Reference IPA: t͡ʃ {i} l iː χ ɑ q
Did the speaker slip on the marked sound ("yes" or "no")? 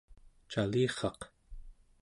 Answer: yes